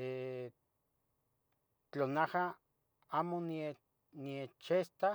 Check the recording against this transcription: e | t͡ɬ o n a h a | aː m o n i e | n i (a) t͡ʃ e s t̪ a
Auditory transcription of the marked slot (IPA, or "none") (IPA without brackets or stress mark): e